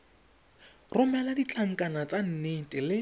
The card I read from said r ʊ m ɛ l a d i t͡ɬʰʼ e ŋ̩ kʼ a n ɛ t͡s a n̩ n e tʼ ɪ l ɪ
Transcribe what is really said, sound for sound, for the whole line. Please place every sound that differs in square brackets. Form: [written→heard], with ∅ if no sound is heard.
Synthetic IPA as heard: r ʊ m ɛ l a d i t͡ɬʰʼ [e→a] ŋ̩ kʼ a n [ɛ→a] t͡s a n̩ n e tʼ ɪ l ɪ